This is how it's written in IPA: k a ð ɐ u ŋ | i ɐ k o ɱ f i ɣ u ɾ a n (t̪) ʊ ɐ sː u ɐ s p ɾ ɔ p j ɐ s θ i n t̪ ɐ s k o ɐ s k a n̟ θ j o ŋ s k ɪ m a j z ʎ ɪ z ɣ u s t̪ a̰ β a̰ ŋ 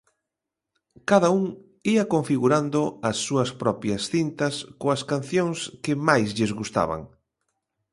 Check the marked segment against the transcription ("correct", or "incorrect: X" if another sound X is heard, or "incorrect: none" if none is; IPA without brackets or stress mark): incorrect: d̪